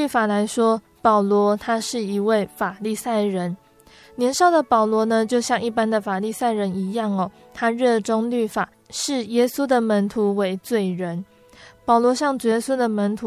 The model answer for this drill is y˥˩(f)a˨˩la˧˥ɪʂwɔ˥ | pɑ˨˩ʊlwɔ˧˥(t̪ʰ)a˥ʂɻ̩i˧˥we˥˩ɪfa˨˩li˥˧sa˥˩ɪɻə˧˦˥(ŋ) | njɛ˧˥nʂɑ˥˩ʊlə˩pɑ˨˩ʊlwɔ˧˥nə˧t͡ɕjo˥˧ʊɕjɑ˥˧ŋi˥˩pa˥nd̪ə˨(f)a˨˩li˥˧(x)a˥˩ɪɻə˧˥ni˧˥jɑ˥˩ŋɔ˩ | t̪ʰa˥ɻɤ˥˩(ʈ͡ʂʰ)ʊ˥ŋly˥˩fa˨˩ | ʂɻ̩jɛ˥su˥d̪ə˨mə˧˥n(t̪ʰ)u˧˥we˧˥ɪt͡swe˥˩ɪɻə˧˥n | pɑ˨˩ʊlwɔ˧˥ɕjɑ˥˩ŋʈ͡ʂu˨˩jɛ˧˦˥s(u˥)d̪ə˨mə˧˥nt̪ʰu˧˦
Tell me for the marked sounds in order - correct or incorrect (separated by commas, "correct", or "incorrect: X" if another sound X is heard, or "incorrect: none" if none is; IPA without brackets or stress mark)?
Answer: correct, correct, incorrect: n, correct, incorrect: s, incorrect: ʈ͡ʂ, correct, correct